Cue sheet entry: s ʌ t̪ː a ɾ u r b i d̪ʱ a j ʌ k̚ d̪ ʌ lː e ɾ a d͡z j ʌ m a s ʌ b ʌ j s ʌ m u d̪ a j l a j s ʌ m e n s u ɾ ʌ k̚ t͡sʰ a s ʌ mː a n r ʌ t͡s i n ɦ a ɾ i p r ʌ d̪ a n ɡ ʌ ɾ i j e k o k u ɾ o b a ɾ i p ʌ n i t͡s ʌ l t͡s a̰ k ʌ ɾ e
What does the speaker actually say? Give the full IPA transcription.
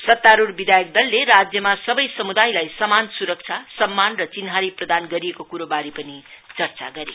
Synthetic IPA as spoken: s ʌ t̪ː a ɾ u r b i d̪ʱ a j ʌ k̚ d̪ ʌ lː e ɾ a d͡z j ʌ m a s ʌ b ʌ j s ʌ m u d̪ a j l a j s ʌ m a n s u ɾ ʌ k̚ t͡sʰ a s ʌ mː a n r ʌ t͡s i n ɦ a ɾ i p r ʌ d̪ a n ɡ ʌ ɾ i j e k o k u ɾ o b a ɾ i p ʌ n i t͡s ʌ r t͡s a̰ ɡ ʌ ɾ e